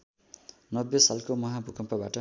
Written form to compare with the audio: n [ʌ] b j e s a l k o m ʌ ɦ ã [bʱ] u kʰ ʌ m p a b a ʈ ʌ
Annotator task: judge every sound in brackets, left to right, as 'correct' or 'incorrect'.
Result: correct, correct

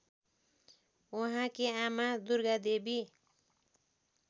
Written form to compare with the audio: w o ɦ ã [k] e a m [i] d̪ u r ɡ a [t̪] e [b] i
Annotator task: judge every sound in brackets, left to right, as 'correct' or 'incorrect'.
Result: correct, incorrect: a, incorrect: d̪, correct

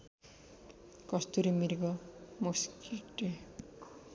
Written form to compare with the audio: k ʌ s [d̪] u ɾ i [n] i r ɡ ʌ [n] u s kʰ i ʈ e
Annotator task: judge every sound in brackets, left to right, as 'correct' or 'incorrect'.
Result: incorrect: t̪, incorrect: m, incorrect: m

